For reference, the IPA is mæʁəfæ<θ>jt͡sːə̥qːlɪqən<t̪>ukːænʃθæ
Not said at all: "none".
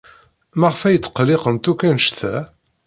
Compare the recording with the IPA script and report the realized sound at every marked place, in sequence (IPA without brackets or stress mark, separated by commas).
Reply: none, t̪